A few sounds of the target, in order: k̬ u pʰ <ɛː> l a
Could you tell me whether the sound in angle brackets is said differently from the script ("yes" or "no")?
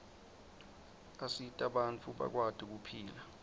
yes